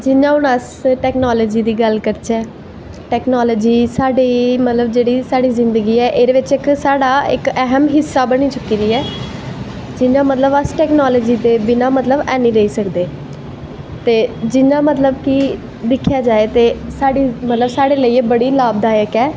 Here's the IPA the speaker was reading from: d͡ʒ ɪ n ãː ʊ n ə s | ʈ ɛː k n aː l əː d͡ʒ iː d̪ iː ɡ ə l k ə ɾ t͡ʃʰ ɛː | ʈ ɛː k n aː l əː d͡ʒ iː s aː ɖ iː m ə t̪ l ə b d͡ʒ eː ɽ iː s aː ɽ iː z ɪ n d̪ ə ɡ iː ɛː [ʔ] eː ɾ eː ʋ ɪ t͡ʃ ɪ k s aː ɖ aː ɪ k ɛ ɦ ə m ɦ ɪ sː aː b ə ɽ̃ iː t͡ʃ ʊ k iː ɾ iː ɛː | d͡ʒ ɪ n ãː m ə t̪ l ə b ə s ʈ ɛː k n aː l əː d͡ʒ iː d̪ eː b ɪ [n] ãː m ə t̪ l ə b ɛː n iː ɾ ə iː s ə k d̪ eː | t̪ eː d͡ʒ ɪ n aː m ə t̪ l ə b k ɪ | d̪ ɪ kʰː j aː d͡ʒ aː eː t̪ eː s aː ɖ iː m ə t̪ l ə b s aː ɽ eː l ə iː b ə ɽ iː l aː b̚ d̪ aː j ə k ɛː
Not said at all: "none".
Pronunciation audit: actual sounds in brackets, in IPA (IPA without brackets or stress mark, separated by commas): ʔ, n